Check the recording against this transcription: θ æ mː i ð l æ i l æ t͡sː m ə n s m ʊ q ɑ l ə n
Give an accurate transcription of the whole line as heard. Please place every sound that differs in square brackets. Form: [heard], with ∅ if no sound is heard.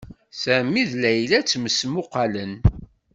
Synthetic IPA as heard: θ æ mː i ð l æ [j] l æ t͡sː m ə [∅] s m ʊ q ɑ l ə n

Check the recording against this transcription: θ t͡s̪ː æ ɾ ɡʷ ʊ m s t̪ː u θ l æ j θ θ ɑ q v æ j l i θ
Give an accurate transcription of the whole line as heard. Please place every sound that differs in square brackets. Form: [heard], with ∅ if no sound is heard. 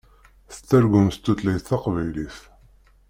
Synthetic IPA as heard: θ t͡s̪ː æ ɾ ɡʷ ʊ m s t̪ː u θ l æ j θ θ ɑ q v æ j l i θ

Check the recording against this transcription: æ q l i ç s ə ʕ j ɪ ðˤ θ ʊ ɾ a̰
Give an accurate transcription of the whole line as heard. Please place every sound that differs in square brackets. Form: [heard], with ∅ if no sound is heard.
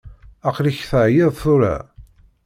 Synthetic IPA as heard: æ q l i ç [θ] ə ʕ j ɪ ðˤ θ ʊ ɾ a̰

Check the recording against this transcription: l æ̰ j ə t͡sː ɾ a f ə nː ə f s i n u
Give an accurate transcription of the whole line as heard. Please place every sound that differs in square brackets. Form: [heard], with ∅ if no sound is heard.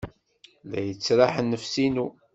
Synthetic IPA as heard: l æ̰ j ə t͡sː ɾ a [ħ] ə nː ə f s i n u

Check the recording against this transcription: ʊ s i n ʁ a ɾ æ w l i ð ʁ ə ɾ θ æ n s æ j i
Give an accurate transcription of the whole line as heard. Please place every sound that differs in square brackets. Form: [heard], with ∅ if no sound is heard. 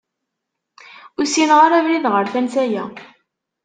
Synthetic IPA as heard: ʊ s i n ʁ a ɾ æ [v] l i ð ʁ ə ɾ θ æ n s æ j [æ]

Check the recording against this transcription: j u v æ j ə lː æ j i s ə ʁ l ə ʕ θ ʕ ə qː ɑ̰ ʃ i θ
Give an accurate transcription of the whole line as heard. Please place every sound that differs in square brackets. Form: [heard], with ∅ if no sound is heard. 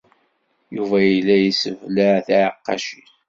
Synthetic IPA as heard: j u v æ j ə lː æ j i s ə [v] l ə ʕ θ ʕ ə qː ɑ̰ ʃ i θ

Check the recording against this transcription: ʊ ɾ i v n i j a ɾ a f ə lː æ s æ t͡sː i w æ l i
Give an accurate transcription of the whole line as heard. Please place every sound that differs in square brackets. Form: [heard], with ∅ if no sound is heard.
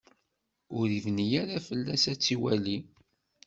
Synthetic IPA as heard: ʊ ɾ i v n i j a ɾ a f ə lː æ s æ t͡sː i w æ l i

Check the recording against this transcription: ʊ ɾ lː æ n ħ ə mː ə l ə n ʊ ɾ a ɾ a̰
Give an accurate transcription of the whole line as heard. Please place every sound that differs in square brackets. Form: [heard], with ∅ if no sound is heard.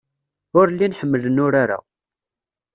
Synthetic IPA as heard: ʊ ɾ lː [i] n ħ ə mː ə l ə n ʊ ɾ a ɾ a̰

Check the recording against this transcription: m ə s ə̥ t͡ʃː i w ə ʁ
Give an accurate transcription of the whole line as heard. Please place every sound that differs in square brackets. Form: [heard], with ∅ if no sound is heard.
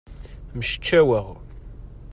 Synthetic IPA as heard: m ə [ʃ] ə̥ t͡ʃː [æ] w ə ʁ

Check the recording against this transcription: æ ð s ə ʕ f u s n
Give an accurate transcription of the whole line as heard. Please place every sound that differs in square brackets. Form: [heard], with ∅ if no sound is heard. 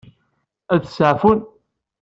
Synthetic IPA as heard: æ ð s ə ʕ f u [∅] n

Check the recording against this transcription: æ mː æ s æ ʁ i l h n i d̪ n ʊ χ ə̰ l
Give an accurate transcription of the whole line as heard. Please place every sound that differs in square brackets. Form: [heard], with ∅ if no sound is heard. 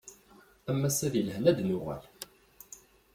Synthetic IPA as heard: æ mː æ s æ [ð] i l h n [æ] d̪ n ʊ [ʁ] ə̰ l

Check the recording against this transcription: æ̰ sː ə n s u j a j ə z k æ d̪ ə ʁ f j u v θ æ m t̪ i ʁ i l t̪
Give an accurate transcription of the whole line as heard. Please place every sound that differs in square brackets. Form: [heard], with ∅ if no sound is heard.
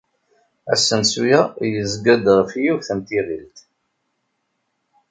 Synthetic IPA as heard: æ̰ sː ə n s u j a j ə z [ɡ] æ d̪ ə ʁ f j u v θ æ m t̪ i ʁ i l t̪

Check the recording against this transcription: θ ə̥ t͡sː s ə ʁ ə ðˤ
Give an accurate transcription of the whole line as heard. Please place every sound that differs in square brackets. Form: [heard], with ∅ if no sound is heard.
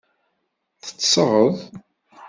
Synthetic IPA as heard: θ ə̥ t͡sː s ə ʁ ə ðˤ

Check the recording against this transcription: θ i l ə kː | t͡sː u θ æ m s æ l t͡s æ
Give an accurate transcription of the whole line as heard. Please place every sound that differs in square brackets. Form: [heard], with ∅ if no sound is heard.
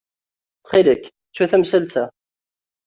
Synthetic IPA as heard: [χ] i l ə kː | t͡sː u θ æ m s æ l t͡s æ

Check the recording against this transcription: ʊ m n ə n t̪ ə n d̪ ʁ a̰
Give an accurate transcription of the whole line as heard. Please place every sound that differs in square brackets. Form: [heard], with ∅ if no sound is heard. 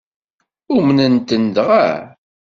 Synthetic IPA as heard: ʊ m n ə n t̪ ə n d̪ ʁ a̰

